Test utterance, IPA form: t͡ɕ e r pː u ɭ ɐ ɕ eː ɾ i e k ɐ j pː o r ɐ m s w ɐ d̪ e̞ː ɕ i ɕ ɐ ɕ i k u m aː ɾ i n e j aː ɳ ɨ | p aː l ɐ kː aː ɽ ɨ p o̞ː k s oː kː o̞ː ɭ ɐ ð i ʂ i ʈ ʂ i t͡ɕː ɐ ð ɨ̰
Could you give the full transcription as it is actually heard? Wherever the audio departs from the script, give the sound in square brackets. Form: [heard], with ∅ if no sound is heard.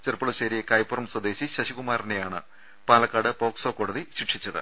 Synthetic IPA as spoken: t͡ɕ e r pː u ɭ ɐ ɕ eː ɾ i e k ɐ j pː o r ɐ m s w ɐ d̪ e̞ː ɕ i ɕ ɐ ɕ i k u m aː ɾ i n e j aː ɳ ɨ | p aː l ɐ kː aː ɽ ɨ p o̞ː k s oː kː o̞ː [ɽ] ɐ ð i [ɕ] i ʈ ʂ i t͡ɕː ɐ ð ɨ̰